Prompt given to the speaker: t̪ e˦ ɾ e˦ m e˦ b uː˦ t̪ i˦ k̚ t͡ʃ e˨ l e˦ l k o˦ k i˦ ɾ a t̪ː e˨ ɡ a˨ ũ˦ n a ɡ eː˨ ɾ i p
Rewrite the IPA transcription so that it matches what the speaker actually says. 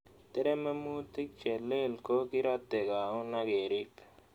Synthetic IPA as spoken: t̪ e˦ ɾ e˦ m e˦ m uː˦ t̪ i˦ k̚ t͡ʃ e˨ l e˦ l k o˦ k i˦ ɾ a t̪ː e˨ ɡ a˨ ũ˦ n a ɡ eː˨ ɾ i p

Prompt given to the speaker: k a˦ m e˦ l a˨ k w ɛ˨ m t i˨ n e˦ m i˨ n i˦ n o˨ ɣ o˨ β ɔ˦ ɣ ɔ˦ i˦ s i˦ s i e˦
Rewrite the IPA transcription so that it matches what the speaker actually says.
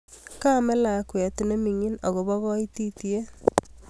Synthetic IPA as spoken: k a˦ m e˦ l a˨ k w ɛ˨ t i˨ n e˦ m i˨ ŋ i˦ n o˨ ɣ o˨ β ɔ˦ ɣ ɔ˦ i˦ t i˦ t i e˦

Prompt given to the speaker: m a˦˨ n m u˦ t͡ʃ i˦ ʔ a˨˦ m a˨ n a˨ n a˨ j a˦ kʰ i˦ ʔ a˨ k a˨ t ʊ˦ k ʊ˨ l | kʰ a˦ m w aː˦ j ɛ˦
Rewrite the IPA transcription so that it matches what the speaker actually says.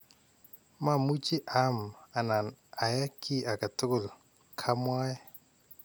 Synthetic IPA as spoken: m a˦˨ m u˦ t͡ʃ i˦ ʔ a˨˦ m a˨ n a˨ n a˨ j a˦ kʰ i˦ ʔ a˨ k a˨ t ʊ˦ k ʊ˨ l | kʰ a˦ m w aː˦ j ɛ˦

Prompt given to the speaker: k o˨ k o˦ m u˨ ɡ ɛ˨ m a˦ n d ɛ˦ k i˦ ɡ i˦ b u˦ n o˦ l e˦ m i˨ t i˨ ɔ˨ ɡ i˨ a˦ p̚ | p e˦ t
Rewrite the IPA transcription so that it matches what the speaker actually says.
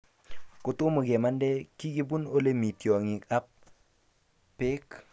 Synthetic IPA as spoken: k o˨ t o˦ m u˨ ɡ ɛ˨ m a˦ n d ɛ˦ k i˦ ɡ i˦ b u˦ n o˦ l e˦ m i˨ t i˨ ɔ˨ ŋ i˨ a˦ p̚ | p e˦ k

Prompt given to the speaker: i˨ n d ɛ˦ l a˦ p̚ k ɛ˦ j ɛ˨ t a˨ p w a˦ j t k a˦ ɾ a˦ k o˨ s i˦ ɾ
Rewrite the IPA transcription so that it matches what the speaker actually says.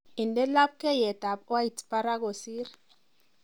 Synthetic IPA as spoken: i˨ n d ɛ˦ l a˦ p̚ k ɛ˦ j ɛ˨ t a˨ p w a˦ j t p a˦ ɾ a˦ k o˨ s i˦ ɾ

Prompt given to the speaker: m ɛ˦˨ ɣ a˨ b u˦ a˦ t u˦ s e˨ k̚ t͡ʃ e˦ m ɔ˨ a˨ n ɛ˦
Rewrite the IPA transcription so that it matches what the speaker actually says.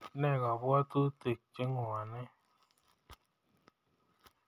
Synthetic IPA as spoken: n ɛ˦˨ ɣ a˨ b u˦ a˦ t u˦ t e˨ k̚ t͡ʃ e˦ ŋ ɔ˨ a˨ n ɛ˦

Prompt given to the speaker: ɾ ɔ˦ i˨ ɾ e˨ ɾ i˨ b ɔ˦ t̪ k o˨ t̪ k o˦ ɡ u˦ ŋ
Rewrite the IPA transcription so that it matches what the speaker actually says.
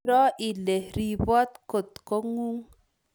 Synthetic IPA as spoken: ɾ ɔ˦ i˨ l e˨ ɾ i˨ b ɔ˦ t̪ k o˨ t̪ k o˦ ŋ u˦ ŋ

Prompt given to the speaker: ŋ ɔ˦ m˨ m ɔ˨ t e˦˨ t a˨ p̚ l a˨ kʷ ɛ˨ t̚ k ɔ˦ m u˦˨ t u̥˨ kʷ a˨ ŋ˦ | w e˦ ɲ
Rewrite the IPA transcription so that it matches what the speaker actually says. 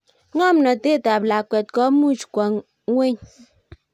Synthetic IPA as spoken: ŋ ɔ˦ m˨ n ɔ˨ t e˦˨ t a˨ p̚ l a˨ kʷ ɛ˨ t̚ k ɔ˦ m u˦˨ t͡ʃ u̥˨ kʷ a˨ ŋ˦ | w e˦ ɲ

